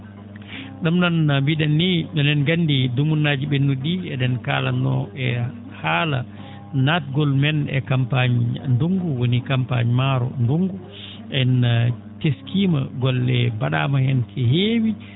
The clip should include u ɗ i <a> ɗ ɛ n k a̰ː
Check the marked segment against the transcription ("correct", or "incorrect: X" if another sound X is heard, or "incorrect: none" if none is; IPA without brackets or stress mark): incorrect: ɛ